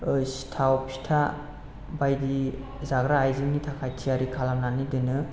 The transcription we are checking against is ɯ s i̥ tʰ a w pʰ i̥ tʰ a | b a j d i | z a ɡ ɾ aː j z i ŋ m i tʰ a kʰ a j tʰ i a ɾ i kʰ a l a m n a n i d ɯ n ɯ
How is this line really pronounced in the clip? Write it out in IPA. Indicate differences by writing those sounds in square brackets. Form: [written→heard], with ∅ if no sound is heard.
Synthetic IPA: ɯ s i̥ tʰ a w pʰ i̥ tʰ a | b a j d i | z a ɡ ɾ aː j z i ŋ [m→n] i tʰ a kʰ a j tʰ i a ɾ i kʰ a l a m n a n i d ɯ n ɯ

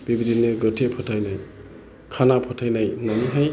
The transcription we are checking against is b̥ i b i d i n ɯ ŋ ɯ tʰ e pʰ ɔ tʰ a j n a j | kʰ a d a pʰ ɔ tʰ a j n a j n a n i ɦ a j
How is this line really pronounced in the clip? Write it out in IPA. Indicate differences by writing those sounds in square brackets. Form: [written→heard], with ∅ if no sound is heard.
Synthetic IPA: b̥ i b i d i n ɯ [ŋ→ɡ] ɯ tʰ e pʰ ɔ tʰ a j n a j | kʰ a [d→n] a pʰ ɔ tʰ a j n a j n a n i ɦ a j

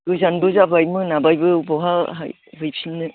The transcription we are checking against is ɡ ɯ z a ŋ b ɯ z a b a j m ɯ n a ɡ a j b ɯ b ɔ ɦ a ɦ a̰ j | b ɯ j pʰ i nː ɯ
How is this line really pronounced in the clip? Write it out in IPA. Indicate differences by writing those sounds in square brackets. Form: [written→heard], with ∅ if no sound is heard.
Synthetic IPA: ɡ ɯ z a [ŋ→n] b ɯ z a b a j m ɯ n a [ɡ→b] a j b ɯ b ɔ ɦ a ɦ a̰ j | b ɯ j pʰ i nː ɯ

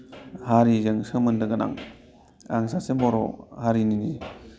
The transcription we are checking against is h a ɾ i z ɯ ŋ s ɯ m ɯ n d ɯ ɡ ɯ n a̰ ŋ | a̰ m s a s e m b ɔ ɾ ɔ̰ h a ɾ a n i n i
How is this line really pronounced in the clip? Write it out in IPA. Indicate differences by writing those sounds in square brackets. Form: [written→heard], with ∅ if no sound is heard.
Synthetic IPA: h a ɾ i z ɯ ŋ s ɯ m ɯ n d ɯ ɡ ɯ n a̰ ŋ | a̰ [m→ŋ] s a s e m b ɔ ɾ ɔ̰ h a ɾ [a→i] n i n i

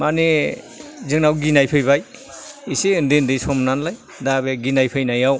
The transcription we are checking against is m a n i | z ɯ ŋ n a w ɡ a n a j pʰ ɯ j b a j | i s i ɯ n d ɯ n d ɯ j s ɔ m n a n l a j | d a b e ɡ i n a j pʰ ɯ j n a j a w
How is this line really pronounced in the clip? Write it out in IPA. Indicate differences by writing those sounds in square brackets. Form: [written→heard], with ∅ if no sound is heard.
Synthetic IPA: m a n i | z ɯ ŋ n a w ɡ [a→i] n a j pʰ ɯ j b a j | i s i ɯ n d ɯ n d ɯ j s ɔ m n a n l a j | d a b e ɡ i n a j pʰ ɯ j n a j a w

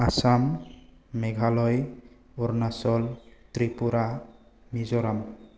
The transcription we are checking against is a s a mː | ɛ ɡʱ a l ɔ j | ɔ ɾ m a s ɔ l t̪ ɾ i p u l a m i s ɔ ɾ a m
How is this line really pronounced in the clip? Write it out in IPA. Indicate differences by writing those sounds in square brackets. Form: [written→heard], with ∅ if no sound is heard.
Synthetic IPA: a s a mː | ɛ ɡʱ a l ɔ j | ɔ ɾ [m→n] a s ɔ l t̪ ɾ i p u [l→ɾ] a m i [s→z] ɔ ɾ a m

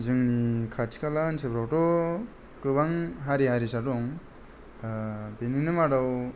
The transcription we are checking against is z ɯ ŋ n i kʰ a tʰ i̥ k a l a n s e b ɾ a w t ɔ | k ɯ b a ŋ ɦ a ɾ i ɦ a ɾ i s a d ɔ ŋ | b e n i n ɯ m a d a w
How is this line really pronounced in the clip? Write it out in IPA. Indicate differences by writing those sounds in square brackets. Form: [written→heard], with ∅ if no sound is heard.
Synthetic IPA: z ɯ ŋ n i kʰ a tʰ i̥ k a l a n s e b ɾ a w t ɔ | k ɯ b a ŋ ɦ a ɾ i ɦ a ɾ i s a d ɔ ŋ | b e n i n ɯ m a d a w

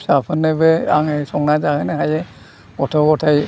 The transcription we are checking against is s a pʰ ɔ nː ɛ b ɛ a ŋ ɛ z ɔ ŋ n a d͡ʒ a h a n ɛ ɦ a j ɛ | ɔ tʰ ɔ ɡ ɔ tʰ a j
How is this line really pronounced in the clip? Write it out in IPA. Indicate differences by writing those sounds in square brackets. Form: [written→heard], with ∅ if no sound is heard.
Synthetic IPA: s a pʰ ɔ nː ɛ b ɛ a ŋ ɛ [z→s] ɔ ŋ n a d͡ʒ a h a n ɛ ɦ a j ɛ | ɔ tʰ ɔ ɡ ɔ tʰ a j

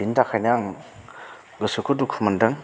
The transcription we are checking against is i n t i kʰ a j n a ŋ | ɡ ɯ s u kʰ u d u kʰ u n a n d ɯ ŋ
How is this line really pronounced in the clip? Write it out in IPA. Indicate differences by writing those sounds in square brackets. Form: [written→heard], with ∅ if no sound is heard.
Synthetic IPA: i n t [i→a] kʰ a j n a ŋ | ɡ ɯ s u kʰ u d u kʰ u [n→m] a n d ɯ ŋ

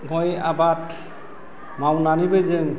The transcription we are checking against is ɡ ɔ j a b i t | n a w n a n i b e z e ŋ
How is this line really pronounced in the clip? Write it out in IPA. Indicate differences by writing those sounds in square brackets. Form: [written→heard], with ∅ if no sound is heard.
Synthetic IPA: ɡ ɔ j a b [i→a] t | [n→m] a w n a n i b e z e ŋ

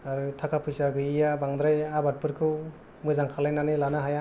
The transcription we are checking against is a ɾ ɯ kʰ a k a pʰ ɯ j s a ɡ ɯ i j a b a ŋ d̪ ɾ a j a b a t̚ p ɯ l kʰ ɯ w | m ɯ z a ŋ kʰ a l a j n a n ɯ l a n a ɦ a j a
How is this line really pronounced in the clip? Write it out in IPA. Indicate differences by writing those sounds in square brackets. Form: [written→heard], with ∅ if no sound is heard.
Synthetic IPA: a ɾ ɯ [kʰ→tʰ] a k a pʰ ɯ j s a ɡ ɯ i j a b a ŋ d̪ ɾ a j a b a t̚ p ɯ [l→ɾ] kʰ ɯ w | m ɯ z a ŋ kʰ a l a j n a n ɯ l a n a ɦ a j a

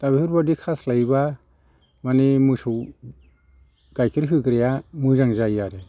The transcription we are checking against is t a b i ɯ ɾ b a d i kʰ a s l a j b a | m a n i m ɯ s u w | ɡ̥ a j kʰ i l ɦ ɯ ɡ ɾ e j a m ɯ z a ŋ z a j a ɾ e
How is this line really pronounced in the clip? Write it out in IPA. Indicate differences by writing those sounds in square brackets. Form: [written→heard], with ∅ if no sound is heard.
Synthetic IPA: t a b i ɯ ɾ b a d i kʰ a s l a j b a | m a n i m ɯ s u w | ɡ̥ a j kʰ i [l→ɾ] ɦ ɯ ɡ ɾ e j a m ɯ z a ŋ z a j a ɾ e

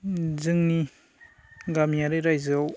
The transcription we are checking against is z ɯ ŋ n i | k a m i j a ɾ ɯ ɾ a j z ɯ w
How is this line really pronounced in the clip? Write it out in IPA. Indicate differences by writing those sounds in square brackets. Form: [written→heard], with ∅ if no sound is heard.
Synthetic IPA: z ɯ ŋ n i | [k→ɡ] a m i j a ɾ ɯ ɾ a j z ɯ w

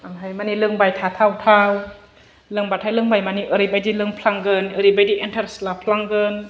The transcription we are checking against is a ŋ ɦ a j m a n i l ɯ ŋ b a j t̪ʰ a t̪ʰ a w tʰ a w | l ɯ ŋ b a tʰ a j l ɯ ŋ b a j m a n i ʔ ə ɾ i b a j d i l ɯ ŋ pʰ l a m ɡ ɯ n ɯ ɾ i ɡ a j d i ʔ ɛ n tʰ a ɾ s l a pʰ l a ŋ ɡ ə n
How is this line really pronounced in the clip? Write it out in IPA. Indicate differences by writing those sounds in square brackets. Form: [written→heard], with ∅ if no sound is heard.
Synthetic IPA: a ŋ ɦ a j m a n i l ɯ ŋ b a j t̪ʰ a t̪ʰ a w tʰ a w | l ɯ ŋ b a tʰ a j l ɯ ŋ b a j m a n i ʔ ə ɾ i b a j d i l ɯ ŋ pʰ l a [m→ŋ] ɡ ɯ n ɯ ɾ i [ɡ→b] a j d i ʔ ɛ n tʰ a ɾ s l a pʰ l a ŋ ɡ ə n

